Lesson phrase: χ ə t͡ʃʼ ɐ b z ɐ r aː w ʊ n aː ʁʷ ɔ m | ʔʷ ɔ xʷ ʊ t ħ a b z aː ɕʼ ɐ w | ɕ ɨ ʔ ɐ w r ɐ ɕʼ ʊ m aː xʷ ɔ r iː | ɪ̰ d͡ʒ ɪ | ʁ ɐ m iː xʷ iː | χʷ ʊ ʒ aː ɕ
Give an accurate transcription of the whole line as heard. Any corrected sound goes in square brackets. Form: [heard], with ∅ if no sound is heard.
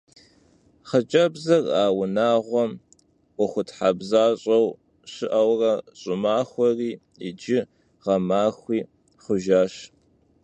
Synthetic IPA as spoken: χ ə t͡ʃʼ ɐ b z ɐ r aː w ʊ n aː ʁʷ ɔ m | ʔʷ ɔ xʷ ʊ t ħ a b z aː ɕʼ ɐ w | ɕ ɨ ʔ ɐ w r ɐ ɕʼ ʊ m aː xʷ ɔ r iː | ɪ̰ d͡ʒ ɪ | ʁ ɐ m [aː] xʷ iː | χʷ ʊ ʒ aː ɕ